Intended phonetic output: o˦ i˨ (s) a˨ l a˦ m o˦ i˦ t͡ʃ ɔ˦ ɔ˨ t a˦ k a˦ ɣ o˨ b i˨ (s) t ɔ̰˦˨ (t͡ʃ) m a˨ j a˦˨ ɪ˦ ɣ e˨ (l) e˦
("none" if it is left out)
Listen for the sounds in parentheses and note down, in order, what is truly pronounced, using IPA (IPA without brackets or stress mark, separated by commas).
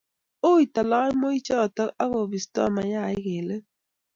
t, s, none, l